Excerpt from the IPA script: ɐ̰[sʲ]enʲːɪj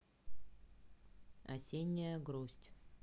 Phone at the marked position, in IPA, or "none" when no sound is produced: sʲ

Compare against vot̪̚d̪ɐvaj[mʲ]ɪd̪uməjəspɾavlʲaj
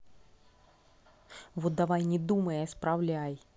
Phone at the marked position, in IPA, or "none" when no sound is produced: nʲ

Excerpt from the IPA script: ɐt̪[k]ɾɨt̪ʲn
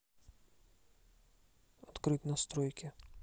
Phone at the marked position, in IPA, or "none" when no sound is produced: k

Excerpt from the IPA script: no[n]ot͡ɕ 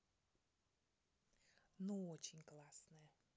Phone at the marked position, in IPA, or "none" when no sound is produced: none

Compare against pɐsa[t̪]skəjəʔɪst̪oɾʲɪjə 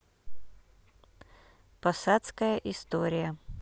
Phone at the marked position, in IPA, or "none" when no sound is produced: t̪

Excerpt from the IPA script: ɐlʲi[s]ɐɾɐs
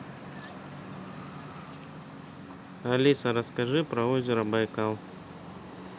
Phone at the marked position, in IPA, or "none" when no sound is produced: s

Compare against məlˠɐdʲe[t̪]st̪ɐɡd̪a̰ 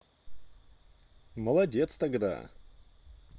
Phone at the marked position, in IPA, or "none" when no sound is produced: t̪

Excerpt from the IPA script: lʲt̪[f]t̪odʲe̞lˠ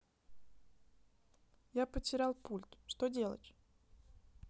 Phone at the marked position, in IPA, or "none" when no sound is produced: ʂ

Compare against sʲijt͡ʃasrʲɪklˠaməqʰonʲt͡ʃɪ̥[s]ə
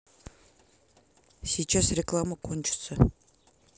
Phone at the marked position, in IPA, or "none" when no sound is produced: s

